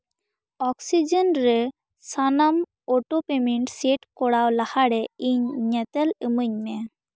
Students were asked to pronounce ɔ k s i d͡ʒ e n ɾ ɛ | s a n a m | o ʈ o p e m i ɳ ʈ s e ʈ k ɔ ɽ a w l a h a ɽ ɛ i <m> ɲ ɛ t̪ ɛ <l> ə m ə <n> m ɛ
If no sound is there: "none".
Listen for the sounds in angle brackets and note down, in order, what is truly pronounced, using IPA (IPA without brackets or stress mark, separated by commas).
ɲ, l, ɲ